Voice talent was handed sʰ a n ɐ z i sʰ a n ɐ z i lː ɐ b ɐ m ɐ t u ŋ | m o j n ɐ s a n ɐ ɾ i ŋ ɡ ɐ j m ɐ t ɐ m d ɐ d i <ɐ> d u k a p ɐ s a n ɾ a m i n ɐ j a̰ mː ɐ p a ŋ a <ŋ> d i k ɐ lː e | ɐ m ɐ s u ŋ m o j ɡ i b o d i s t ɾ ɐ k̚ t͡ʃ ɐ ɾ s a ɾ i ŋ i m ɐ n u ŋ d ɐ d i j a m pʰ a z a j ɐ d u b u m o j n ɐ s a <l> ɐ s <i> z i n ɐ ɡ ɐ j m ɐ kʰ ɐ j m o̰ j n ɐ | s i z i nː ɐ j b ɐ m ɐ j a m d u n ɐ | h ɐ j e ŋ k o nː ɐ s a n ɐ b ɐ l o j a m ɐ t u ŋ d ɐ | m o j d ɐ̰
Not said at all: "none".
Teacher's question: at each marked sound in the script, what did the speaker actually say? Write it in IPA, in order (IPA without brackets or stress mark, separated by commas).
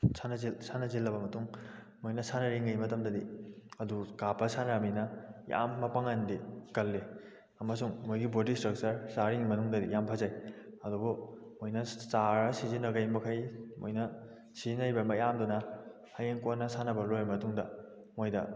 ɐ, n, ɾ, i